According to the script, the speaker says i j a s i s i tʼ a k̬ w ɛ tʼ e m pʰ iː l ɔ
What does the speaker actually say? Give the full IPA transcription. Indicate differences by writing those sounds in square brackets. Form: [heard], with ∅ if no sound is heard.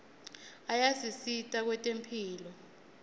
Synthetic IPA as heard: [a] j a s i s i tʼ a k̬ w ɛ tʼ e m pʰ iː l ɔ